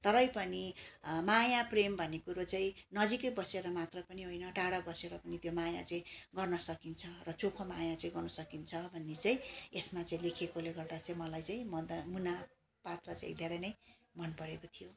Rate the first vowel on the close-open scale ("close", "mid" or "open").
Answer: mid